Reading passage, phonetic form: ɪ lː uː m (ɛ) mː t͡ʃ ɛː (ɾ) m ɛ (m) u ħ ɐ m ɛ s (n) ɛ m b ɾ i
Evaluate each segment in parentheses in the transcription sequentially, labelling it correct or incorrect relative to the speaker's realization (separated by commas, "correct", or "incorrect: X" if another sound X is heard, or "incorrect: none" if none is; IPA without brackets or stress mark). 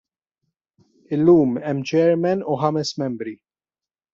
correct, correct, incorrect: n, incorrect: m